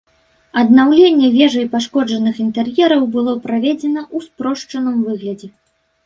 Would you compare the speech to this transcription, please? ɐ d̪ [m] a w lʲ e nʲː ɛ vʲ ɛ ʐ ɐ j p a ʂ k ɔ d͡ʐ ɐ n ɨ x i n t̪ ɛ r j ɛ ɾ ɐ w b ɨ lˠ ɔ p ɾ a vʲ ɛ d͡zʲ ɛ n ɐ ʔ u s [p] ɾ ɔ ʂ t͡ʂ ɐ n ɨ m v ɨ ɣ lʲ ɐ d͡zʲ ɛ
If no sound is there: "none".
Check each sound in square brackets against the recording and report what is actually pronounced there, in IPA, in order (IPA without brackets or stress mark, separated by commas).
n, p